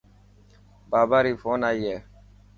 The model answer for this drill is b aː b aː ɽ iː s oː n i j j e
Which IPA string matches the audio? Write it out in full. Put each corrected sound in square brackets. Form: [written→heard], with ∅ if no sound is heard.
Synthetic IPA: b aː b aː [ɽ→ɾ] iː [s→f] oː n [i→a] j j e